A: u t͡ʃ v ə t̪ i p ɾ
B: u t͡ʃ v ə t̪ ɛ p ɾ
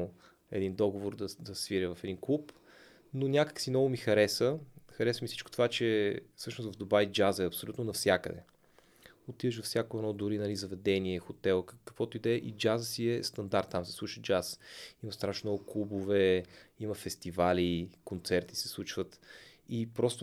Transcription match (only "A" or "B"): A